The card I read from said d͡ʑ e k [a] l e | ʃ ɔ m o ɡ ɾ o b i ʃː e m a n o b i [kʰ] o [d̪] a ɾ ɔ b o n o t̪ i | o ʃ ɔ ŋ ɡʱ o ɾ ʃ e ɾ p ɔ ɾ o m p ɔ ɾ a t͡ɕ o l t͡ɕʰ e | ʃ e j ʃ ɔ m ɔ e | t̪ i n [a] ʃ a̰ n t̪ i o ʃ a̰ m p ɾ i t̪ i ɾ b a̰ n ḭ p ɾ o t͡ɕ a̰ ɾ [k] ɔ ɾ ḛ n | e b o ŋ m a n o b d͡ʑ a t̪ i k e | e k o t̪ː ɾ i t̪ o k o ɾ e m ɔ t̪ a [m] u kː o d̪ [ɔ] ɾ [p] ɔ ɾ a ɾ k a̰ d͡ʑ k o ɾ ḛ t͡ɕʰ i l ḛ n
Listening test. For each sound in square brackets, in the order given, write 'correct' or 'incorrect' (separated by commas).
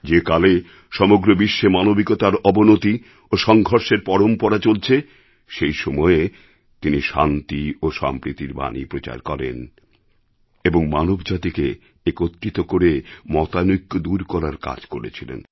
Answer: correct, incorrect, incorrect, incorrect, correct, incorrect, incorrect, incorrect